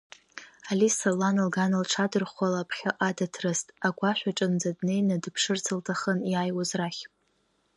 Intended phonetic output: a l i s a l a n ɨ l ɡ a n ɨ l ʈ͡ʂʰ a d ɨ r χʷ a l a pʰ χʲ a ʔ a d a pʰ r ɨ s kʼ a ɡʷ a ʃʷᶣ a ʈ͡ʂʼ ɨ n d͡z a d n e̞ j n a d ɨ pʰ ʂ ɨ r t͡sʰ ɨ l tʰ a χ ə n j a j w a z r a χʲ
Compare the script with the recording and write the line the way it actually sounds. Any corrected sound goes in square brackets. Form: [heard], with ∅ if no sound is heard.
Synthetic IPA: a l i s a l a n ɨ l ɡ a n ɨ l ʈ͡ʂʰ a d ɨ r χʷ a l a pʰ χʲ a ʔ a d a [tʰ] r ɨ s [tʼ] a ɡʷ a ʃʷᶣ a ʈ͡ʂʼ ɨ n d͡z a d n e̞ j n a d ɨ pʰ ʂ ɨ r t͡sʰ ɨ l tʰ a χ ə n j a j w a z r a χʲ